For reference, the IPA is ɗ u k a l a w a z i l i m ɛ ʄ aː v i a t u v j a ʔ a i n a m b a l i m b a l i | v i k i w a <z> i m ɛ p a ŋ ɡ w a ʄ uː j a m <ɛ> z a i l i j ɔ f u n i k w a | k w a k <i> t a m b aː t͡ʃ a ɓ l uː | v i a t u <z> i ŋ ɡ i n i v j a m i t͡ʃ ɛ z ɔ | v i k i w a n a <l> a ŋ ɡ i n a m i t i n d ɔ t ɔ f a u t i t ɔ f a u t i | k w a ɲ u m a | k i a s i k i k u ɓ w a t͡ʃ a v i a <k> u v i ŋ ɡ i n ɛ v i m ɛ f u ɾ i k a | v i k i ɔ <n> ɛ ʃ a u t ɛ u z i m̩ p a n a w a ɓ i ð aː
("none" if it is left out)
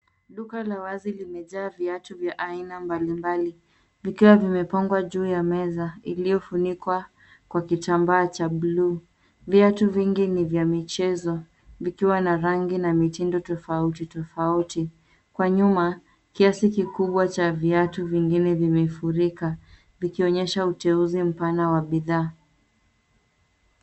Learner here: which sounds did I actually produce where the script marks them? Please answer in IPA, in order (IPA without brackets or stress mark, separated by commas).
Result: v, ɛ, i, v, ɾ, t, ɲ